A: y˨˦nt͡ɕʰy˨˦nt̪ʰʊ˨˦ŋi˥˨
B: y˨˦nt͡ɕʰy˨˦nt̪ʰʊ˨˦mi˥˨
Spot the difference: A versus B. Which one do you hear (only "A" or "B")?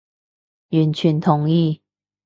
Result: A